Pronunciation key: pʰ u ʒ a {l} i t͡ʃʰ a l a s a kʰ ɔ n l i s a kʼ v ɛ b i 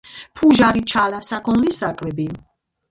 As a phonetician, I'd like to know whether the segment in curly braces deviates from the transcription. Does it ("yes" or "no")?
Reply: yes